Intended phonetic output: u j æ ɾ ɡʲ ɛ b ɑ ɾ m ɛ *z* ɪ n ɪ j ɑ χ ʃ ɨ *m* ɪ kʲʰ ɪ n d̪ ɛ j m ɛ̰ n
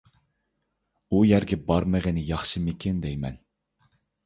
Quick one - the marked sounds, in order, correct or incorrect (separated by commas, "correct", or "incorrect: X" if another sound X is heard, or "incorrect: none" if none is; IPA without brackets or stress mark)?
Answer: incorrect: ʁ, correct